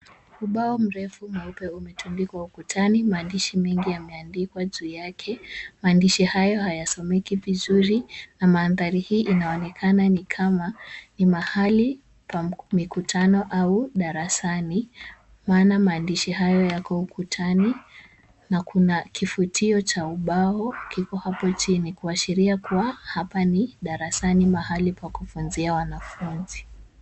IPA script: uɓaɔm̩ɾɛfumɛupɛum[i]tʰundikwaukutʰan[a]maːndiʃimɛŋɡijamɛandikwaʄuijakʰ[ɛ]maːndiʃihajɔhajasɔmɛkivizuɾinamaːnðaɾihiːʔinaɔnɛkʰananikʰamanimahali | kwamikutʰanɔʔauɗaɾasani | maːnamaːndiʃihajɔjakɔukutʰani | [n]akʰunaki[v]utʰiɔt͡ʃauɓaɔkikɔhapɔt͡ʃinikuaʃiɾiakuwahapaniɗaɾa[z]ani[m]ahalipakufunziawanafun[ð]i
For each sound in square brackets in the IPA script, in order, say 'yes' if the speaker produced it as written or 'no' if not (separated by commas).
no, no, yes, yes, no, no, yes, no